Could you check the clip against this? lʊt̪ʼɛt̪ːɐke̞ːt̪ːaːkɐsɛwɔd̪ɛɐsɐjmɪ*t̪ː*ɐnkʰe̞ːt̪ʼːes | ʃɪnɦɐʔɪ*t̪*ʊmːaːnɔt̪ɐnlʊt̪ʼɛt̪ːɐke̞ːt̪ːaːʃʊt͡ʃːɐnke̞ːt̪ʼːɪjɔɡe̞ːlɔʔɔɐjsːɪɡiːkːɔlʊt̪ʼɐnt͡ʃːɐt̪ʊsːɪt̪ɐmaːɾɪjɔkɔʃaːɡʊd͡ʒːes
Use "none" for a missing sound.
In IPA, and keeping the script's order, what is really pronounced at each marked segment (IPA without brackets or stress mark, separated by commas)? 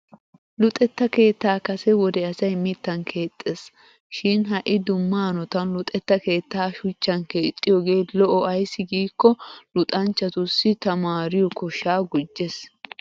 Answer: t̪ː, d̪